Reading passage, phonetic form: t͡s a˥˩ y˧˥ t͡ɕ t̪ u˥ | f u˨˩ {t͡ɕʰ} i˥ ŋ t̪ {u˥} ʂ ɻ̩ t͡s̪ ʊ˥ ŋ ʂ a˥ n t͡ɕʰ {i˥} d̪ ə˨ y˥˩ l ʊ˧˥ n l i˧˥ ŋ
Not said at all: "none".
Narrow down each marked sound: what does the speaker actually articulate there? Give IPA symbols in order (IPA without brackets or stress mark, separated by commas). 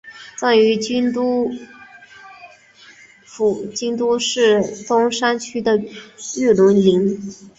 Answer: t͡ɕ, u˥, y˥